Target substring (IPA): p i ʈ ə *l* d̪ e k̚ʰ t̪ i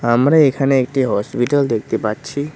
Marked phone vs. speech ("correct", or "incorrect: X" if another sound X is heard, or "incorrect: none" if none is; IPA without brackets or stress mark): correct